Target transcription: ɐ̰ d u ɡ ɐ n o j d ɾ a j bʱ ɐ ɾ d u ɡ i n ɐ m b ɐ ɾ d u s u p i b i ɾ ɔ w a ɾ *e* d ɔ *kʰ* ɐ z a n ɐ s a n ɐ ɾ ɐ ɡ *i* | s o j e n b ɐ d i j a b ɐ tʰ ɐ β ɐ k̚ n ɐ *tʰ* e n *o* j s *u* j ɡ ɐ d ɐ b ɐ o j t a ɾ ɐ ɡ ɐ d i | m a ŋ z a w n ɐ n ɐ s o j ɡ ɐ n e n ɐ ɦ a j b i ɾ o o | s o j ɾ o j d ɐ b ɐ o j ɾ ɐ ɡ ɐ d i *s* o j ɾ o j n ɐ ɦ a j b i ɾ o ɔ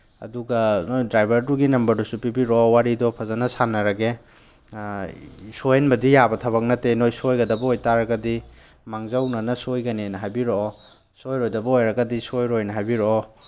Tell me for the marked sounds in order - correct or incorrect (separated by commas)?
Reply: incorrect, incorrect, incorrect, incorrect, correct, incorrect, correct